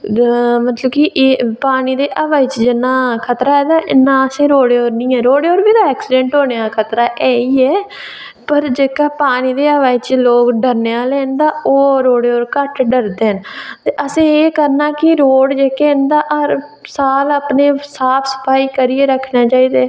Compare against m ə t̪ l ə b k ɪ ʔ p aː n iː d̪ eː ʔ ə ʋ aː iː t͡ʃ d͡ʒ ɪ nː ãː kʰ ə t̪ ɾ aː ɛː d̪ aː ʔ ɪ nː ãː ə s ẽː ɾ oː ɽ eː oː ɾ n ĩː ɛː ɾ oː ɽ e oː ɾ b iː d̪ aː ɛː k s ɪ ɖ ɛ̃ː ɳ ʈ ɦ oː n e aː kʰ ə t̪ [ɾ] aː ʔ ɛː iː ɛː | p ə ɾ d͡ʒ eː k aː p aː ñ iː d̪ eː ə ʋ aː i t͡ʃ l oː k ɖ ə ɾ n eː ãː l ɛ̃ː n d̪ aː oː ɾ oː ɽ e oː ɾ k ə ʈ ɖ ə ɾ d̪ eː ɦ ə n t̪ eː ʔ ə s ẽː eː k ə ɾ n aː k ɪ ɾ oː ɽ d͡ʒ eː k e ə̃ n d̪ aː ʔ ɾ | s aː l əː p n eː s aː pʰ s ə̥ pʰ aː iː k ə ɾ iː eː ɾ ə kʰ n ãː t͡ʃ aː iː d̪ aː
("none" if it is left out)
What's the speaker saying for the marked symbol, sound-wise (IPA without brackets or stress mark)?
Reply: ɾ